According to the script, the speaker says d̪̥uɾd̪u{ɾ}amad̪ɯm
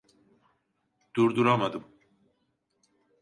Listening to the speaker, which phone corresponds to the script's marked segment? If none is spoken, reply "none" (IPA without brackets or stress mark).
ɾ